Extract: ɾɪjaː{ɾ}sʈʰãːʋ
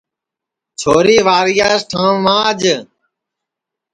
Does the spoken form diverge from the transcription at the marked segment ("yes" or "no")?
yes